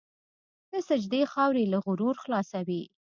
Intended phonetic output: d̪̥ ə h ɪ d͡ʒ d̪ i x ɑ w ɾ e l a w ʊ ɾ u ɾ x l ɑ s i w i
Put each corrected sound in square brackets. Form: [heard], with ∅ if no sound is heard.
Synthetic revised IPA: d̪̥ ə [s] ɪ d͡ʒ d̪ [e] x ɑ w ɾ e l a [ɣ] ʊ ɾ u ɾ x l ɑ s [a] w i